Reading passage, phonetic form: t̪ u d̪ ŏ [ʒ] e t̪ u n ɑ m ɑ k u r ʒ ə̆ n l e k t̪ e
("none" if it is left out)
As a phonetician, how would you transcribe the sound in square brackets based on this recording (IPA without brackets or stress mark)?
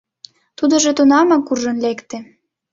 ʒ